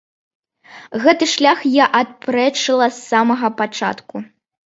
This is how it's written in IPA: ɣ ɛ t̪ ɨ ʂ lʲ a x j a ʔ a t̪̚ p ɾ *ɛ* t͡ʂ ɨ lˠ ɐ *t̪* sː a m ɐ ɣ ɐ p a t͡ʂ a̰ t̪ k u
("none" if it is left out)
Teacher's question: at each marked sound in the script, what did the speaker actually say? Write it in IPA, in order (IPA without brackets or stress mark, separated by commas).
ɛ, none